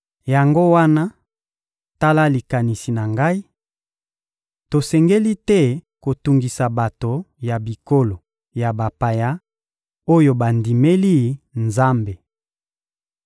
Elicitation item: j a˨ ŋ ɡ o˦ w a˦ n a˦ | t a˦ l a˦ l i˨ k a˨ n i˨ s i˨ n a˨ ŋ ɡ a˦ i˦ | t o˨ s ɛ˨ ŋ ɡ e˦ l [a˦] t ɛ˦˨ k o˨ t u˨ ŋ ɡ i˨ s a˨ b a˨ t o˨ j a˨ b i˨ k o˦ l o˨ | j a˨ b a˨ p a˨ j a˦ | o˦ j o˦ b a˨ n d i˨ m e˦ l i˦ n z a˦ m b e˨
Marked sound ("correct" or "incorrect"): incorrect